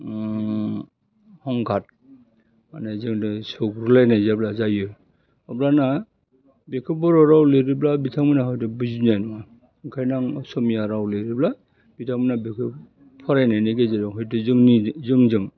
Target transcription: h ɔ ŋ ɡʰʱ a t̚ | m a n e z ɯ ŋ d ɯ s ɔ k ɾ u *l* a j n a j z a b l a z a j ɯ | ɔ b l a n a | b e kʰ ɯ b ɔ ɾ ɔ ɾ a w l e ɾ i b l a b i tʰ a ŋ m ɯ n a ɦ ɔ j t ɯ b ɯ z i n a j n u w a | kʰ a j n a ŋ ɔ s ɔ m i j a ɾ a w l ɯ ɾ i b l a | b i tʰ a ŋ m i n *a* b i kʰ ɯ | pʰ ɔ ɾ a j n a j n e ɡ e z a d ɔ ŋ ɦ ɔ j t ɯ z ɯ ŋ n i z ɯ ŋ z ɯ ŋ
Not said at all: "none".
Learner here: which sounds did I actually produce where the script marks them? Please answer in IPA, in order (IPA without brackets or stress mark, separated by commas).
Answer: l, a